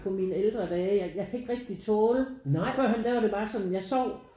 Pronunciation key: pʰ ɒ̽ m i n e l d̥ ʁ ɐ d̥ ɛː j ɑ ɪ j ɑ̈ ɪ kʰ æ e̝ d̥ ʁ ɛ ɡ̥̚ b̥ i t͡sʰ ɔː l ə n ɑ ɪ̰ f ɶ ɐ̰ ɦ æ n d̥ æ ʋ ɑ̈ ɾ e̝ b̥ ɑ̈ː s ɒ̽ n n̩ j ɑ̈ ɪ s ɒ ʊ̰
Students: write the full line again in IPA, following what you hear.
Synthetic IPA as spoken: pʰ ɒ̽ m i n e l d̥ ʁ ɐ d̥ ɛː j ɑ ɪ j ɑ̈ ɪ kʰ æ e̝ ɡ̥ ʁ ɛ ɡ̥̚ d̥ i t͡sʰ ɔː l ə n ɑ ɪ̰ f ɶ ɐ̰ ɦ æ n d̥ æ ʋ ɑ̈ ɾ e̝ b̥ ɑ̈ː s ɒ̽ n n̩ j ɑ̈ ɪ s ɒ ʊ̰